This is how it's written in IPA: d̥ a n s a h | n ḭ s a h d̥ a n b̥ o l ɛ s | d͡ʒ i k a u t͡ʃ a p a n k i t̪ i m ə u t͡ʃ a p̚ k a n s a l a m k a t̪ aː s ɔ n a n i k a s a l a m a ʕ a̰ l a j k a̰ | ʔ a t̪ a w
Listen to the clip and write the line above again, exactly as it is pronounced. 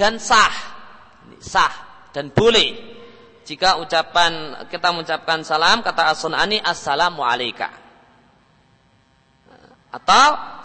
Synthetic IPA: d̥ a n s a h | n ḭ s a h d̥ a n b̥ o l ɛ h | d͡ʒ i k a u t͡ʃ a p a n k i t̪ a m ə u t͡ʃ a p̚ k a n s a l a m k a t̪ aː s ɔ n a n i ʔ a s a l a m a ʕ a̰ l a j k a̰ | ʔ a t̪ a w